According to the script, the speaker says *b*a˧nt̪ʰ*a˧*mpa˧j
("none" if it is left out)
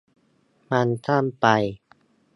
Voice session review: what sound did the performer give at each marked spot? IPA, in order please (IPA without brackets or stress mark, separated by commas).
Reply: m, a˥˩